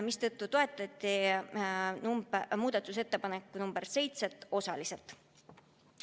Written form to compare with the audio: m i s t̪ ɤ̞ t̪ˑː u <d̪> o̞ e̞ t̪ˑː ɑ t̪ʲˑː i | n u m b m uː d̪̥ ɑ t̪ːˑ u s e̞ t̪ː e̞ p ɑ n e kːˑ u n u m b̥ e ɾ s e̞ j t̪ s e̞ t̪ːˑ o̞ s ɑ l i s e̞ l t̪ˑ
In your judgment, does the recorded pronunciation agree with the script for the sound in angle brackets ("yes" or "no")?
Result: no